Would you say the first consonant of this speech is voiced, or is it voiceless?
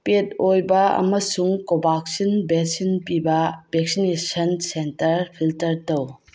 voiceless